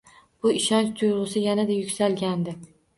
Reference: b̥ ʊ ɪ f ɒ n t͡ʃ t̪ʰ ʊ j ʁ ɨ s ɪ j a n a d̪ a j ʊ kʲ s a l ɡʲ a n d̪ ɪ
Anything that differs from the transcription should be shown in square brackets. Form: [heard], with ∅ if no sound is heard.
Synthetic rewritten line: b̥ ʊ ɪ [ʃ] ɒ n t͡ʃ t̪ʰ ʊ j ʁ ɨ s ɪ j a n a d̪ a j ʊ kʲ s a l ɡʲ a n d̪ ɪ